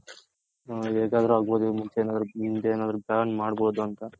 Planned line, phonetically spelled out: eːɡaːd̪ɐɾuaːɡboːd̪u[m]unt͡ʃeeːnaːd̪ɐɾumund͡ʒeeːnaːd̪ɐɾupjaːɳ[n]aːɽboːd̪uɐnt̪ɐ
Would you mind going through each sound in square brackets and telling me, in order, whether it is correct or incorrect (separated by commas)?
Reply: correct, incorrect